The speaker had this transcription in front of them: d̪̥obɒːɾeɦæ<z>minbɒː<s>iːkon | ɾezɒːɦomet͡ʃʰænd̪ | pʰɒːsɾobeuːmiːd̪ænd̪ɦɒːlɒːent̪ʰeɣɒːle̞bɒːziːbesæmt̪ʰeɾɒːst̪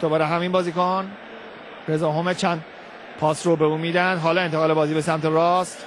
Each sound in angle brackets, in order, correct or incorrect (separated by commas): incorrect, incorrect